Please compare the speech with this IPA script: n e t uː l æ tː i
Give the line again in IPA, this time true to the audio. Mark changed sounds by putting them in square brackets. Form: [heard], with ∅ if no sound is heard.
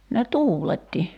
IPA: n e t uː l [e] tː i